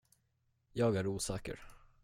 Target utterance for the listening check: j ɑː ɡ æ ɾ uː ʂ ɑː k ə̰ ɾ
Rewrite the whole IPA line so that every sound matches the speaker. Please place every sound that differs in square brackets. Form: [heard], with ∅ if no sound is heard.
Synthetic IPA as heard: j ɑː ɡ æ ɾ uː [s] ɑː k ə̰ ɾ